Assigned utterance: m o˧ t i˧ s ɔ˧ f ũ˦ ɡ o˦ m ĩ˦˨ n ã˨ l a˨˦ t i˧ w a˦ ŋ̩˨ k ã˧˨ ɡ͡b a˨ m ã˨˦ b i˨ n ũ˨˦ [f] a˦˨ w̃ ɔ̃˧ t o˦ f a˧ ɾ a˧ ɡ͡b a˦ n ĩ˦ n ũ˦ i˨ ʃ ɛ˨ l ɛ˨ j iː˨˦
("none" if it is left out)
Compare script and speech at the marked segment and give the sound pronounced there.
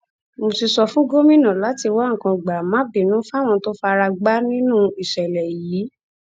f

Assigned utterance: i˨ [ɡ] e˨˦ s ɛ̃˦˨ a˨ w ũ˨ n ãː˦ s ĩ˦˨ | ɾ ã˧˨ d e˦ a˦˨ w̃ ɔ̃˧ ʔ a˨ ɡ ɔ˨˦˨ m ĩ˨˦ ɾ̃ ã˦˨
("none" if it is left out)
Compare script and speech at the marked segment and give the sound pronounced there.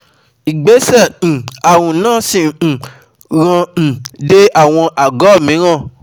ɡ͡b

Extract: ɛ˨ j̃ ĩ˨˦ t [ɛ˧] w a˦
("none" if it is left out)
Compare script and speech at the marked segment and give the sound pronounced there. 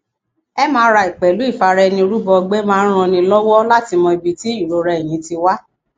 i˧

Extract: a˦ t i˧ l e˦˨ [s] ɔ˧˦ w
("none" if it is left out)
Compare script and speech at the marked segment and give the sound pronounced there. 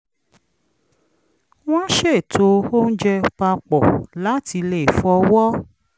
f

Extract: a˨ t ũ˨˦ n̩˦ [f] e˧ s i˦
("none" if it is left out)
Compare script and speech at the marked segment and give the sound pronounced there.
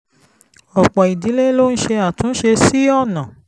ʃ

